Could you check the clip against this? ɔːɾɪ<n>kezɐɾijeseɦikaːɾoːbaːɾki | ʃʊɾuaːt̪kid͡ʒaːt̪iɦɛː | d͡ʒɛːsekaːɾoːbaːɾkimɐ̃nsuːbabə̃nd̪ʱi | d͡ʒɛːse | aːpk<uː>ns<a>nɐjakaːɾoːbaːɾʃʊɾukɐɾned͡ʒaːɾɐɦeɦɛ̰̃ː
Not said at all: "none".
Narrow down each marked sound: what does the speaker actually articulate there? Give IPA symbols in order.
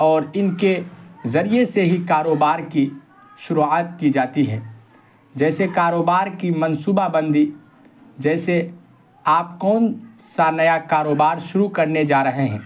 n, ɔː, a

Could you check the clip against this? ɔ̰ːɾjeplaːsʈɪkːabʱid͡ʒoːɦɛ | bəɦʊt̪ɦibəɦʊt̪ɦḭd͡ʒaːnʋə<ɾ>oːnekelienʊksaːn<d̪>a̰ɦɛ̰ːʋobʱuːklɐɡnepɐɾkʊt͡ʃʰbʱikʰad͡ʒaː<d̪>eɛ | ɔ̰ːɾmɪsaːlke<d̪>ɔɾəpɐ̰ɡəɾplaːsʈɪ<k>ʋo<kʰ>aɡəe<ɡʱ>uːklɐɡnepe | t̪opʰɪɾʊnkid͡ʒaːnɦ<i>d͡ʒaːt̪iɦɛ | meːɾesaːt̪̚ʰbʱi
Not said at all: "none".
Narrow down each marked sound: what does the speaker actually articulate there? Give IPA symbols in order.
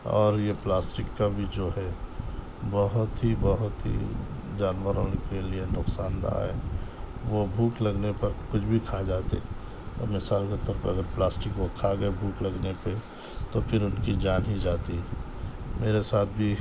ɾ, d̪, t̪, t̪, k, kʰ, bʱ, i

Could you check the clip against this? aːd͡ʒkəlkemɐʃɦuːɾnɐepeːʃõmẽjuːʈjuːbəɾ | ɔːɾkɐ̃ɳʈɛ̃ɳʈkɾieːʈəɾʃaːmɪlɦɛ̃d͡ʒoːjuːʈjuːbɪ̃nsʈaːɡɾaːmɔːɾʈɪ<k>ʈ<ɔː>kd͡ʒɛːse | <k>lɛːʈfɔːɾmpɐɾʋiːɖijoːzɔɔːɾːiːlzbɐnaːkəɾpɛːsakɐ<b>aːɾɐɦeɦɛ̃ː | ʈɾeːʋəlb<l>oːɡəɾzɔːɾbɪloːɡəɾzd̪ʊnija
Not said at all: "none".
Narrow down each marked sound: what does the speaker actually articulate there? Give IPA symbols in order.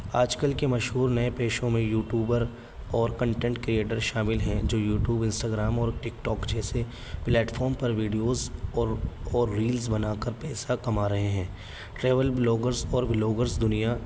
k, ɔː, p, m, l

